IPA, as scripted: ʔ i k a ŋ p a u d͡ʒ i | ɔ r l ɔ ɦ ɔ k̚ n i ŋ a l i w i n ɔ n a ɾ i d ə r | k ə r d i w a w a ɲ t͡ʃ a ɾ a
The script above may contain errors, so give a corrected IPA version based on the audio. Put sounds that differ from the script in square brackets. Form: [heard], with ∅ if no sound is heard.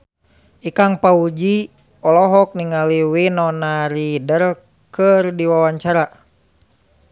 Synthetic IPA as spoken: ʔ i k a ŋ p a u d͡ʒ i | ɔ [∅] l ɔ ɦ ɔ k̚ n i ŋ a l i w i n ɔ n a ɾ i d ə r | k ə r d i w a w a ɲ t͡ʃ a ɾ a